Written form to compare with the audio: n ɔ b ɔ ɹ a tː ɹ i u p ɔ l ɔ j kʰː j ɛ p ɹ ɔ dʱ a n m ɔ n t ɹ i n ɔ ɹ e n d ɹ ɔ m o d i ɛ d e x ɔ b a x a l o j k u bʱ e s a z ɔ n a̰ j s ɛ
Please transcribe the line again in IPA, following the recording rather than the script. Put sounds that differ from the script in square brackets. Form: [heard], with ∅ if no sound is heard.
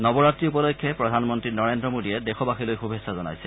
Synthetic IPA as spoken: n ɔ b ɔ ɹ a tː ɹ i u p ɔ l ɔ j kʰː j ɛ p ɹ ɔ dʱ a n m ɔ n t ɹ i n ɔ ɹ e n d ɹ ɔ m o d i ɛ d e x ɔ b a x [i] l o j [x] u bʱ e s a z ɔ n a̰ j s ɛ

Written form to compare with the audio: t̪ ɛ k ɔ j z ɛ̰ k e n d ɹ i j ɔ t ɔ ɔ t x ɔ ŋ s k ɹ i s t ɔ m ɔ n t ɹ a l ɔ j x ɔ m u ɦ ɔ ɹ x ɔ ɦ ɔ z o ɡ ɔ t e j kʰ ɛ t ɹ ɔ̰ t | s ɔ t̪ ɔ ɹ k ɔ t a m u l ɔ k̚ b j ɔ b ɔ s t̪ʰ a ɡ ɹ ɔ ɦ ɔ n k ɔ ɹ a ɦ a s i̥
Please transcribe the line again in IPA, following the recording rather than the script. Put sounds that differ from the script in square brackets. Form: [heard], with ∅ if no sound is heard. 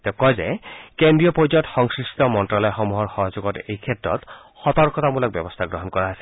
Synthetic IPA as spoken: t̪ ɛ k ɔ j z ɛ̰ k e n d ɹ i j ɔ [p] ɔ ɔ t x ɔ ŋ s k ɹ i s t ɔ m ɔ n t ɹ a l ɔ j x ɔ m u ɦ ɔ ɹ x ɔ ɦ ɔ z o ɡ ɔ t e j kʰ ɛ t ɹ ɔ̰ t | [x] ɔ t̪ ɔ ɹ k ɔ t a m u l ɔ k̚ b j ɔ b ɔ s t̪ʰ a ɡ ɹ ɔ ɦ ɔ n k ɔ ɹ a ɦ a s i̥

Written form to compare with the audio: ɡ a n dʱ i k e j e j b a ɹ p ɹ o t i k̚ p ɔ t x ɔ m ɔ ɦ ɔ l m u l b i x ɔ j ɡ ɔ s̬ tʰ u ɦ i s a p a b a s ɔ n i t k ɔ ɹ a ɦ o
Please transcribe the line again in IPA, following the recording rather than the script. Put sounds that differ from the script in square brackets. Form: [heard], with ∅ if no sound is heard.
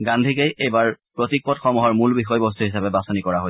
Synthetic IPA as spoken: ɡ a n dʱ i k e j e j b a ɹ p ɹ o t i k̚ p ɔ t x ɔ m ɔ ɦ ɔ [ɹ] m u l b i x ɔ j [b] ɔ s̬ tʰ u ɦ i s a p [ɛ] b a s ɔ n i [∅] k ɔ ɹ a ɦ o

